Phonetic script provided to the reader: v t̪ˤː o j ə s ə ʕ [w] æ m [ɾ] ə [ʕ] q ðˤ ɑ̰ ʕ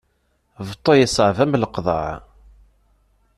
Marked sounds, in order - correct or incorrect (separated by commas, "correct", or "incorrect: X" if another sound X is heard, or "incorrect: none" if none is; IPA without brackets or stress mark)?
incorrect: v, incorrect: l, incorrect: none